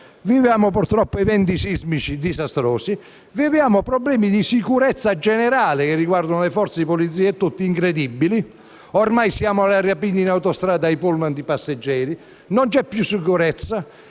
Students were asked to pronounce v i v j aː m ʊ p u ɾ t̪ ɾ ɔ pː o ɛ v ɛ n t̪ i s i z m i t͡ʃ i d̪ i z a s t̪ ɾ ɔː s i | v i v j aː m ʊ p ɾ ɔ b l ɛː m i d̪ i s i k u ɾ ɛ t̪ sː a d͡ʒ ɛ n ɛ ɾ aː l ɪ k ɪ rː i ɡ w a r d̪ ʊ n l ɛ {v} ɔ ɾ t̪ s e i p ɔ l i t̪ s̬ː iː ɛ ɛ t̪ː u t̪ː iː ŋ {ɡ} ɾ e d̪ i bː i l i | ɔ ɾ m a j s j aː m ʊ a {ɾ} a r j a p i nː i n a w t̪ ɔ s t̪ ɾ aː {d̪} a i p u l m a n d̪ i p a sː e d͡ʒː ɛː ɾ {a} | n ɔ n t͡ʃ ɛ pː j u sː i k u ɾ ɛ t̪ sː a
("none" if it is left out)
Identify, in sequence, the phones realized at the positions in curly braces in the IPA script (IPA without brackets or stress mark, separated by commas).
f, k, l, d̪, i